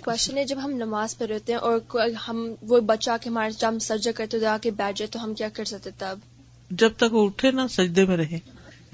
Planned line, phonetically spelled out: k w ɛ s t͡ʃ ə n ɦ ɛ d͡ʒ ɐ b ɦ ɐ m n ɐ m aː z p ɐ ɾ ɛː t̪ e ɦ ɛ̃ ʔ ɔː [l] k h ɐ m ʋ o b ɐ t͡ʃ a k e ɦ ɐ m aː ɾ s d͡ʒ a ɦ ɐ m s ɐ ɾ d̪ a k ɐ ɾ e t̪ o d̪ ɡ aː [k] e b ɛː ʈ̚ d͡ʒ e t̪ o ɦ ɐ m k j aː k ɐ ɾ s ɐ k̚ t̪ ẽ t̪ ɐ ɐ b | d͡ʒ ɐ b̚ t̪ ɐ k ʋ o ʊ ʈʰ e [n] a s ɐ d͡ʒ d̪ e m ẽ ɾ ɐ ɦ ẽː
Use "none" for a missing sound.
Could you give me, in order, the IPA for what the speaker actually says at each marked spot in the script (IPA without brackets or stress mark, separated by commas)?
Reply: ɾ, k, n